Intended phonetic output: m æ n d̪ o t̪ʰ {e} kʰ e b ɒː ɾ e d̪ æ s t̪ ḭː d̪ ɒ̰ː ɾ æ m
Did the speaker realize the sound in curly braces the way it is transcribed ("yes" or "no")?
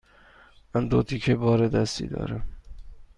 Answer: no